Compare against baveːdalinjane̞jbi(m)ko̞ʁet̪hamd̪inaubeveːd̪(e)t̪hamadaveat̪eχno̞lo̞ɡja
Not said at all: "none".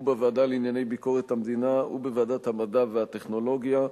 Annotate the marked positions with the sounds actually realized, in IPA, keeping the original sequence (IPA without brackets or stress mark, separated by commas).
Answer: none, a